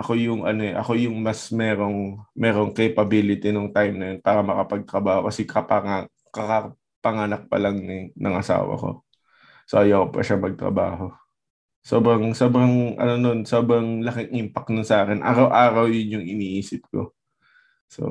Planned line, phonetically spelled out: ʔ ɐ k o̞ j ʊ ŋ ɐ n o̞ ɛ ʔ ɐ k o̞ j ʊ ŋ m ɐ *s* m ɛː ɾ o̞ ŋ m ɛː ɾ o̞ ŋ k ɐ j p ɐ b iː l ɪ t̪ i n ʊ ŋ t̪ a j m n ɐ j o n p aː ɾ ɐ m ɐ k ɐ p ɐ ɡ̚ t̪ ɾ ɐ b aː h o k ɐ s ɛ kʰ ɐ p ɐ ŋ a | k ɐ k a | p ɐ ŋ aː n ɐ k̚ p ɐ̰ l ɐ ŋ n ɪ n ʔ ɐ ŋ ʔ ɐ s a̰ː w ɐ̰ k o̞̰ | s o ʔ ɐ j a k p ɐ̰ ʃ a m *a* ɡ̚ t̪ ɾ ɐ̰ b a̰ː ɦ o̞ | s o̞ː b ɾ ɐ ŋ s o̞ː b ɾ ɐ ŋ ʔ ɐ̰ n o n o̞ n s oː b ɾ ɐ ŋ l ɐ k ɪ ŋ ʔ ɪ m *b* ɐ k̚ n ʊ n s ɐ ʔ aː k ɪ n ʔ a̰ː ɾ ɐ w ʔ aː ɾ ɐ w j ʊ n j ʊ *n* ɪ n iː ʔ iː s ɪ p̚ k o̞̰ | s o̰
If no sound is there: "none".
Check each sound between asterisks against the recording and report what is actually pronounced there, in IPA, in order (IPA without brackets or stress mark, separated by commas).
s, ɐ, p, ŋ